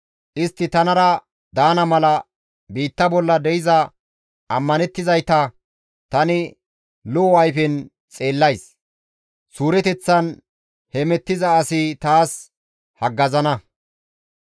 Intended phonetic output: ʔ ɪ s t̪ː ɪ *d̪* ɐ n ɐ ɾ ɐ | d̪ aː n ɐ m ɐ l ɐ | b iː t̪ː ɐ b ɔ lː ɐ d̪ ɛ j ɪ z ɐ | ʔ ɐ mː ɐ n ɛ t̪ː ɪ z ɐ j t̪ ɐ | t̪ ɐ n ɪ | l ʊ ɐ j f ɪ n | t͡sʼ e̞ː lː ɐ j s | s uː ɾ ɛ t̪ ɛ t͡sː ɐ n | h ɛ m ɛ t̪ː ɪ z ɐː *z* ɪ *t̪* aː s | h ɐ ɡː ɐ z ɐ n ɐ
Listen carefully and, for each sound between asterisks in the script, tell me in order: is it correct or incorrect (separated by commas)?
incorrect, incorrect, correct